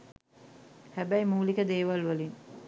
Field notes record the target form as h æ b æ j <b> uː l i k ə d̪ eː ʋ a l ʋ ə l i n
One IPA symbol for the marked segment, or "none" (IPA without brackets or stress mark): m